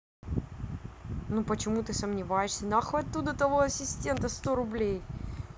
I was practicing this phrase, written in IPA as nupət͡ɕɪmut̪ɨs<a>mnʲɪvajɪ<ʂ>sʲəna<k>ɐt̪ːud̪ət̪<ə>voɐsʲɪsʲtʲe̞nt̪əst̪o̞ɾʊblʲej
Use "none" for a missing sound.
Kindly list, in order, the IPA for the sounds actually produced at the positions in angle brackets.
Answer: ə, ʂ, x, ɐ

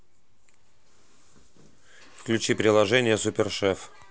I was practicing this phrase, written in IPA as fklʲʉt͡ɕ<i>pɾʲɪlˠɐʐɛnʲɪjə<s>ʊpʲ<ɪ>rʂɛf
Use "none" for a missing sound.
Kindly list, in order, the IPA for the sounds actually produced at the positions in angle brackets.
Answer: i, s, ɪ

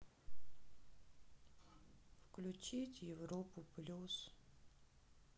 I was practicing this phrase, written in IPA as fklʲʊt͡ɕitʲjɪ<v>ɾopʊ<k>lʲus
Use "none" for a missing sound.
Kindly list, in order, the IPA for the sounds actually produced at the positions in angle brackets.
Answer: v, p

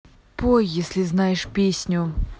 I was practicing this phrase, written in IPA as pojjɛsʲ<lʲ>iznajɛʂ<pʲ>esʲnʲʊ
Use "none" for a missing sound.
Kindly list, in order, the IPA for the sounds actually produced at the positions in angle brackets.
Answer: lʲ, pʲ

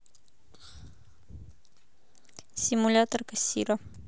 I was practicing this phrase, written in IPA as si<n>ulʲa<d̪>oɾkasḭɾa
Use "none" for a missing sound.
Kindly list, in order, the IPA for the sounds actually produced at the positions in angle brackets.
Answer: m, t̪

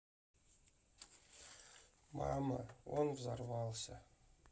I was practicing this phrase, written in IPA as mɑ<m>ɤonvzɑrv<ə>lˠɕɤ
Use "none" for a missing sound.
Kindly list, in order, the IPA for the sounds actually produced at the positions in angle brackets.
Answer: m, ɑ

